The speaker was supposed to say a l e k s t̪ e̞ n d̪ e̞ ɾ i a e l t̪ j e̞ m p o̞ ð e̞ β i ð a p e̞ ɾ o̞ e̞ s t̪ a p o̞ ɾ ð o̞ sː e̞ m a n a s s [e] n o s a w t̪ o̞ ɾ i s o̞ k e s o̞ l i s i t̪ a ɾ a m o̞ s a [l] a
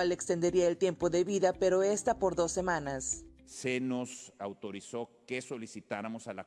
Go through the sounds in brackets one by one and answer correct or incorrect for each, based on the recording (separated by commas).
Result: correct, correct